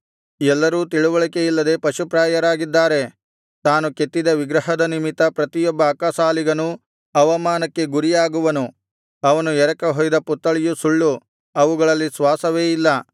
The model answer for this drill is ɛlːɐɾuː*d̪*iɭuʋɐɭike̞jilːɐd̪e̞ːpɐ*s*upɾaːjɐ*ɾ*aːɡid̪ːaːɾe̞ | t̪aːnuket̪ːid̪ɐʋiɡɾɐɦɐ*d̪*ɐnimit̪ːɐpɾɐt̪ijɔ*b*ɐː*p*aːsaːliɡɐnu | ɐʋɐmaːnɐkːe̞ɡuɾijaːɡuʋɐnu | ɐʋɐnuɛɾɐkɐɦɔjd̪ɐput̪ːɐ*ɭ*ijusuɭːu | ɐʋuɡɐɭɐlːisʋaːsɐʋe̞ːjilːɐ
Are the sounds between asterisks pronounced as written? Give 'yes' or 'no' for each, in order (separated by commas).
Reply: no, no, yes, yes, no, no, yes